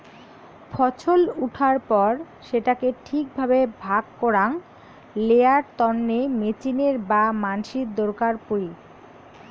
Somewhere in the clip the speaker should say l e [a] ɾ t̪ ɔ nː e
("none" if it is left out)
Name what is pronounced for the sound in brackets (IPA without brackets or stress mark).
a